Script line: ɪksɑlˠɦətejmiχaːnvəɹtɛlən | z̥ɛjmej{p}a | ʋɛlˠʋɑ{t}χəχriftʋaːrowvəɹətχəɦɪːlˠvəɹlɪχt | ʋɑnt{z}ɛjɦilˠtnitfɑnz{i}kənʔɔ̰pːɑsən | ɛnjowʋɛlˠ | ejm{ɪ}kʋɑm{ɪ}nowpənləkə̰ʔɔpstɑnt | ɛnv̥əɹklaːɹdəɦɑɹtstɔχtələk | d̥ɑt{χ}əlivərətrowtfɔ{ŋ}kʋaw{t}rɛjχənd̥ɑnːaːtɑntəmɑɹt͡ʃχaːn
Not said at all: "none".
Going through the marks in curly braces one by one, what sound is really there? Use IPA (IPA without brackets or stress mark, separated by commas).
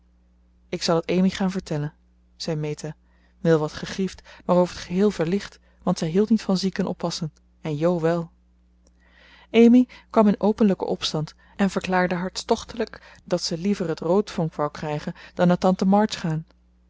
t, t, s, i, i, ɪ, s, ŋ, k